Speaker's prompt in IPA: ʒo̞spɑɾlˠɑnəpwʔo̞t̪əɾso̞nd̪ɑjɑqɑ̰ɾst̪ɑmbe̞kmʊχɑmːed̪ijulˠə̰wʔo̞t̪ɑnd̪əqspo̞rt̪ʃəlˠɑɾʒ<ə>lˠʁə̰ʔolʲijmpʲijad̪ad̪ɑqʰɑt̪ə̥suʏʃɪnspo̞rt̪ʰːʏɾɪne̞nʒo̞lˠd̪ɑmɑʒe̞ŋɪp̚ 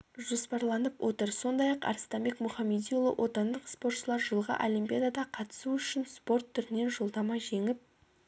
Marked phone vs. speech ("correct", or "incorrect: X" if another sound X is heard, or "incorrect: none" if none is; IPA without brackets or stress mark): correct